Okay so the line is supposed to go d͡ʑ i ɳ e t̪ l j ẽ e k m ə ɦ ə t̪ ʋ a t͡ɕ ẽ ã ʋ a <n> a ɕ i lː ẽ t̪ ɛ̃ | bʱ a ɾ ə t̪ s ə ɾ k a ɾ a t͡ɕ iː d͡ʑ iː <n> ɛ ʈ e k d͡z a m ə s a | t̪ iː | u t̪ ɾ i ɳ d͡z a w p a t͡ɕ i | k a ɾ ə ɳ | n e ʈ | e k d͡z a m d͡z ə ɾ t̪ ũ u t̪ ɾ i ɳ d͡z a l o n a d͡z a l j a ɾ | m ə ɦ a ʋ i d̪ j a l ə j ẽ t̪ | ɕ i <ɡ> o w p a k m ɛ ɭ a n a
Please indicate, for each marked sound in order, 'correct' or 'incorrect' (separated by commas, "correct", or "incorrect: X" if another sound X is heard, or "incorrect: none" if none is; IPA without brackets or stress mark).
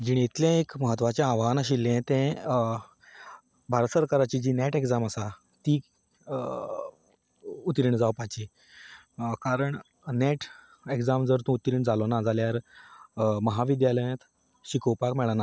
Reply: correct, correct, incorrect: k